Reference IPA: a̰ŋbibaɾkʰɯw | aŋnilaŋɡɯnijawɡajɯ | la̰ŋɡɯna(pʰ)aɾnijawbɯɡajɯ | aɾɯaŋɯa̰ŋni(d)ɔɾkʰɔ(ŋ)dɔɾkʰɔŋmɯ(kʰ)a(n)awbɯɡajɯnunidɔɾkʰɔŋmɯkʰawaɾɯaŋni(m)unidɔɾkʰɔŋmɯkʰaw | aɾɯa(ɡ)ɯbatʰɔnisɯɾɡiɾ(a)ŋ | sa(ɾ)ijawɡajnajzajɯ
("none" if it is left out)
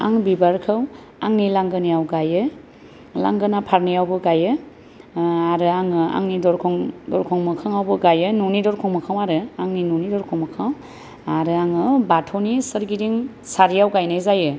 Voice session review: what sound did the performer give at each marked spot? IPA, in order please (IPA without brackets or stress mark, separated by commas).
pʰ, d, ŋ, kʰ, ŋ, n, ŋ, i, ɾ